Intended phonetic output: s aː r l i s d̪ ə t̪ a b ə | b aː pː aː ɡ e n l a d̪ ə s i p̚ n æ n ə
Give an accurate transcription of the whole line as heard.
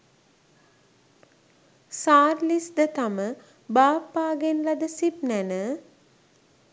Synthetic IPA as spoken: s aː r l i s d̪ ə t̪ a m ə | b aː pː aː ɡ e n l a d̪ ə s i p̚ n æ n ə